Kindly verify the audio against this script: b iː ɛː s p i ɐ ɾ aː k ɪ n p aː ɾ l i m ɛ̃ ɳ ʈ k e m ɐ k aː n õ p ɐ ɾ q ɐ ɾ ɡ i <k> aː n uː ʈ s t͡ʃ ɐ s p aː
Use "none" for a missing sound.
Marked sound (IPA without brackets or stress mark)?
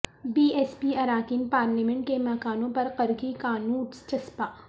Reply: k